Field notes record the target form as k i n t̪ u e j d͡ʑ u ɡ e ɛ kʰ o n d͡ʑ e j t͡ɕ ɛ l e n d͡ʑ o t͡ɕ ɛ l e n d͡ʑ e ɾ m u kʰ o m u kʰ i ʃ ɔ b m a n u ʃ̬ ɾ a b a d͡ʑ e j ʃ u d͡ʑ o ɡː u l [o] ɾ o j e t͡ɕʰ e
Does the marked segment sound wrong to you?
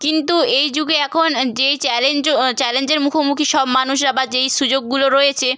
no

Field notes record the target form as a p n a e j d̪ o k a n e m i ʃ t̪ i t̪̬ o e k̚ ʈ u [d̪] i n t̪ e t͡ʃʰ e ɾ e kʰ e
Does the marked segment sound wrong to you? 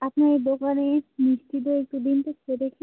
no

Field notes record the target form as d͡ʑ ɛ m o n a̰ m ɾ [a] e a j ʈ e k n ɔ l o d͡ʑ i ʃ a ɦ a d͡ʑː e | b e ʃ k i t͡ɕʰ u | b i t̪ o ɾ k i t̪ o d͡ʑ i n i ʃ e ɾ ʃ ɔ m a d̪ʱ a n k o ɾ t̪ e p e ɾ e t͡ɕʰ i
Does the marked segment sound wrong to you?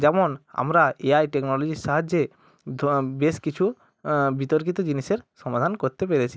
no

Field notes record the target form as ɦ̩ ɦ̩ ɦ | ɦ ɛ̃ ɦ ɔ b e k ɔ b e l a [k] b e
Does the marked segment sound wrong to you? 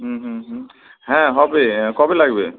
yes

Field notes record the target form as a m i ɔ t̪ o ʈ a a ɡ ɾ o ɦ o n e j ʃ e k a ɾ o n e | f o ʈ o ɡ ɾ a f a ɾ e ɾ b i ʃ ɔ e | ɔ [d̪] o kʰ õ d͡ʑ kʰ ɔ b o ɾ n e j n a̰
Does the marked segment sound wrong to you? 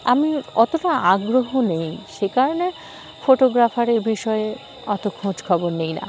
yes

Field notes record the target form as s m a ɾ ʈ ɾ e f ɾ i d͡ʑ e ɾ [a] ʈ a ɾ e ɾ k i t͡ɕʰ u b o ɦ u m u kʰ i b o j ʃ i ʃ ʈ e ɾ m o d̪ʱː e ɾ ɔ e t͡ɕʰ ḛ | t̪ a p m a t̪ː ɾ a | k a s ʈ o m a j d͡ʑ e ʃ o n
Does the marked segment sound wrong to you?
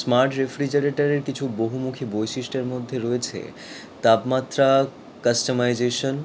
yes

